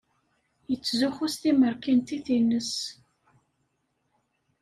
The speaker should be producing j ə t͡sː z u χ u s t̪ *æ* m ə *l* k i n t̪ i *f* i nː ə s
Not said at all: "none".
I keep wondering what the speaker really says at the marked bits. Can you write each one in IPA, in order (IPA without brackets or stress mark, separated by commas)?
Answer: i, ɾ, θ